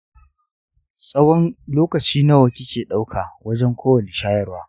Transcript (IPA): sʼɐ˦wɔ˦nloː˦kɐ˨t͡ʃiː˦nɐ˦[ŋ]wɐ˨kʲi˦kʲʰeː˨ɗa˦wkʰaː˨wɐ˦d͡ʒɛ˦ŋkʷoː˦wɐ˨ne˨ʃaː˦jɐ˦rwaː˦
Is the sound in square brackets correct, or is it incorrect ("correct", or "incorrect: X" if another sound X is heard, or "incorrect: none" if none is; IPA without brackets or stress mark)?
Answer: incorrect: none